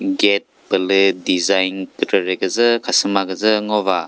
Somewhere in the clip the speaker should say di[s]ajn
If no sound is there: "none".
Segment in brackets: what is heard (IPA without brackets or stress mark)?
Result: z